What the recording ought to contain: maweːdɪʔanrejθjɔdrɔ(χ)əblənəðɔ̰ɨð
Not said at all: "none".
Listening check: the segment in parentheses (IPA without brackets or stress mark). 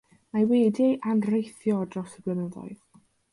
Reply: s